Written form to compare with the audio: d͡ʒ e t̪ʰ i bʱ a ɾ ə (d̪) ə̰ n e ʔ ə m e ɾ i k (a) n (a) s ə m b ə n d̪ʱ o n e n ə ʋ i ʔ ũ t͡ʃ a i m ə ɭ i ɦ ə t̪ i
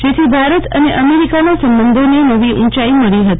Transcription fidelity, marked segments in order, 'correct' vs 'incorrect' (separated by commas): incorrect, correct, correct